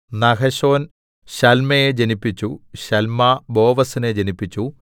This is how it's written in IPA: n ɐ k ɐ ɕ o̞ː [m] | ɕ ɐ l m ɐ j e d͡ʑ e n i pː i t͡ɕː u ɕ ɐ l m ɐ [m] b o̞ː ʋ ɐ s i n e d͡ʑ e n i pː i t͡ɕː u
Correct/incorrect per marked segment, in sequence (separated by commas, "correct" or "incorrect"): incorrect, incorrect